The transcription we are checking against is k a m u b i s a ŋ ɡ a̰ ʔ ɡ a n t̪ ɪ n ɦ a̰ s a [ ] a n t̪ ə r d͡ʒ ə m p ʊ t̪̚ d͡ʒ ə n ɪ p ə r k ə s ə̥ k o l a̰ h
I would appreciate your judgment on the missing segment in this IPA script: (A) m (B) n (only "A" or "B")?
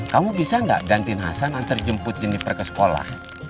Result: B